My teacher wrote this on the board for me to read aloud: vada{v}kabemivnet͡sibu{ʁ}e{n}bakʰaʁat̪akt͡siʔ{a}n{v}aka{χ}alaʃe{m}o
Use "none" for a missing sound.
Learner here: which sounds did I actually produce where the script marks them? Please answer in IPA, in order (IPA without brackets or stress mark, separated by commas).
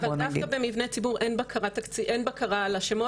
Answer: f, ʁ, n, e, b, ʁ, m